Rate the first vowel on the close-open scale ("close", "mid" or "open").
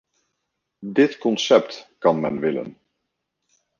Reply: close